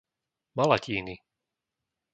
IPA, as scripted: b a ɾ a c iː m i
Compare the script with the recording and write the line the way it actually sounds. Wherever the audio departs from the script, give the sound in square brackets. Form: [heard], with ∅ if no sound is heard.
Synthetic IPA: [m] a [l] a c iː [n] i